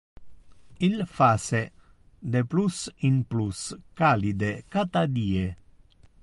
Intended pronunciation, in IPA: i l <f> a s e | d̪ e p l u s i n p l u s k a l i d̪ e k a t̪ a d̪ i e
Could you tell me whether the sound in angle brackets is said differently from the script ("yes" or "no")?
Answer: no